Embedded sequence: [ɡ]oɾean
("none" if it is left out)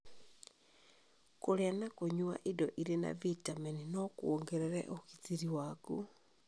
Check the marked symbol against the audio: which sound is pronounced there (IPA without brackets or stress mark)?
k